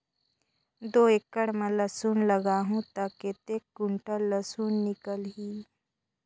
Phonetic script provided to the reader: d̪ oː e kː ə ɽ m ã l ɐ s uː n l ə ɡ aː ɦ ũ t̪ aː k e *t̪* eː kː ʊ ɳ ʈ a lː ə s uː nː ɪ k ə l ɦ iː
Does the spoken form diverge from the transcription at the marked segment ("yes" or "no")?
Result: no